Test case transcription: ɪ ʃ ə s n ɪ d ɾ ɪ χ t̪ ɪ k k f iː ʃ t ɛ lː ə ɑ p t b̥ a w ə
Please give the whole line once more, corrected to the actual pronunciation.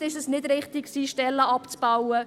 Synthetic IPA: ɪ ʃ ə s n ɪ d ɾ ɪ χ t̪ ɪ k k s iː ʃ t ɛ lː ə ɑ p t͡s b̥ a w ə